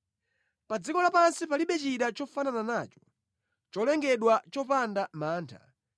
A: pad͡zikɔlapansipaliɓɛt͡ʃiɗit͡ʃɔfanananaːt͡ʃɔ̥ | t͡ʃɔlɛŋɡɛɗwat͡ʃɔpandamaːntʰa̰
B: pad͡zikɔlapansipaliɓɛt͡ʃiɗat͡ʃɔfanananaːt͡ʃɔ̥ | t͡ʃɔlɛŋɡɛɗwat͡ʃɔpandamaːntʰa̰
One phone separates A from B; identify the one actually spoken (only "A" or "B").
B